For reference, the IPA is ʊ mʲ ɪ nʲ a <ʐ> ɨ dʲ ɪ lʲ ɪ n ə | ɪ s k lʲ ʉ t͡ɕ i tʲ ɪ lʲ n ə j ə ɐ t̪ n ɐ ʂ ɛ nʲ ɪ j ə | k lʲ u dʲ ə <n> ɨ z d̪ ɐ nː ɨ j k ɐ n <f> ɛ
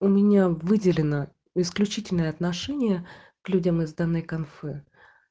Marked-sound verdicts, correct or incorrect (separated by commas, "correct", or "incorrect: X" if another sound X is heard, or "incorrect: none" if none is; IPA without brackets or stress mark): incorrect: v, incorrect: m, correct